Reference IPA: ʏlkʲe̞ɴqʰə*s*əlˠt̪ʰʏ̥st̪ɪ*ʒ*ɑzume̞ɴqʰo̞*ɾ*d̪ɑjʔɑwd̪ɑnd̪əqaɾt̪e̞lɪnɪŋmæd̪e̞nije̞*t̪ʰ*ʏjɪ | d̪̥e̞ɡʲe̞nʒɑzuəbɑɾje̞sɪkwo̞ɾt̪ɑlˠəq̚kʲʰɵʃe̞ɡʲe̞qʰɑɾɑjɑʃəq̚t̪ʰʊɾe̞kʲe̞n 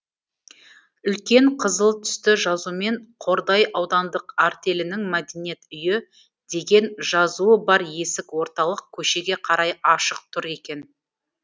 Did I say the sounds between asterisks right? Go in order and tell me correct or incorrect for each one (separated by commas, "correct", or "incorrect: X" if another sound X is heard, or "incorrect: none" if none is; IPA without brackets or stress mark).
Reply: incorrect: z, correct, correct, incorrect: t̪